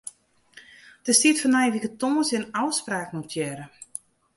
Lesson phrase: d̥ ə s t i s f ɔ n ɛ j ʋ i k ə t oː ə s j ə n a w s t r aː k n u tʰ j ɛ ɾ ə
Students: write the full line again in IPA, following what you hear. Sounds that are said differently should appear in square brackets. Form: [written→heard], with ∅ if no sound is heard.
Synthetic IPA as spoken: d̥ ə s t i [s→t] f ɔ n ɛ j ʋ i k ə t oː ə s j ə n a w s [t→p] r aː k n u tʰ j ɛ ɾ ə